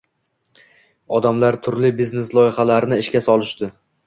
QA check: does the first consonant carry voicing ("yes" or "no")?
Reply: yes